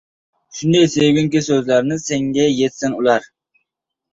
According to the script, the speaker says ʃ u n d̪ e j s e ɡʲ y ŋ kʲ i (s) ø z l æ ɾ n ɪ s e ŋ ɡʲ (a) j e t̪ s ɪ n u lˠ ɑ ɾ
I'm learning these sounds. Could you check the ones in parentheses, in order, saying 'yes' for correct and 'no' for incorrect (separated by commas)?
yes, no